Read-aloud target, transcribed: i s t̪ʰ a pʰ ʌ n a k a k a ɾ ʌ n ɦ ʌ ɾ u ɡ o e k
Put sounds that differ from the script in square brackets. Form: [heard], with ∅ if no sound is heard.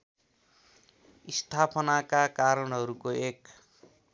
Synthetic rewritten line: i s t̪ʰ a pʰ ʌ n a k a k a ɾ ʌ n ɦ ʌ ɾ u [k] o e k